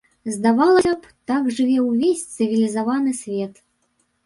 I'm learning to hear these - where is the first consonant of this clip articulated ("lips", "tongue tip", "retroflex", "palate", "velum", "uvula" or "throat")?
tongue tip